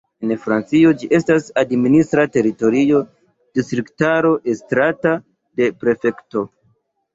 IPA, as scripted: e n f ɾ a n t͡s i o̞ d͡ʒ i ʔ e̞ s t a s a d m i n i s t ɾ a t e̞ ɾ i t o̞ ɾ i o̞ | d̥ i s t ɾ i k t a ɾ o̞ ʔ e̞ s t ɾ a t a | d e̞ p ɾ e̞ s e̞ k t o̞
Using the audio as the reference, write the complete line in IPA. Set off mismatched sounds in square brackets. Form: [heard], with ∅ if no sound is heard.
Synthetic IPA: e n f ɾ a n t͡s i o̞ d͡ʒ i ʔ e̞ s t a s a d m i n i s t ɾ a t e̞ ɾ i t o̞ ɾ i o̞ | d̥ i s t ɾ i k t a ɾ o̞ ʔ e̞ s t ɾ a t a | d e̞ p ɾ e̞ [f] e̞ k t o̞